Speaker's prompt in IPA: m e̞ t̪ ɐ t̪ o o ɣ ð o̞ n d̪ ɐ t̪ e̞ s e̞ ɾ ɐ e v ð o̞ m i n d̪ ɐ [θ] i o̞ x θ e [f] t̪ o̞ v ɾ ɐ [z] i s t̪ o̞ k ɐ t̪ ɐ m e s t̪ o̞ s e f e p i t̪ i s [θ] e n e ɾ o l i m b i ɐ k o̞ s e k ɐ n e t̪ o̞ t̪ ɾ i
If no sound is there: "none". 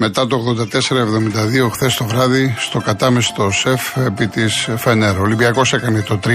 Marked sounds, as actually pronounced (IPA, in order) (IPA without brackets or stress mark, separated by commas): ð, s, ð, f